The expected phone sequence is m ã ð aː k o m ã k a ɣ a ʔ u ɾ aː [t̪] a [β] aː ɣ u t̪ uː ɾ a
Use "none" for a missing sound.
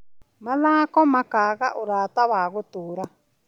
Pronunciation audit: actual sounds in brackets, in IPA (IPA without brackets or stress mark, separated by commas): t̪, β